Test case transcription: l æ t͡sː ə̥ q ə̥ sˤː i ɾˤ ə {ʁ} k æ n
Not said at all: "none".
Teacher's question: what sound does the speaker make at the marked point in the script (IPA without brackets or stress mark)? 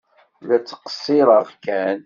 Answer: ʁ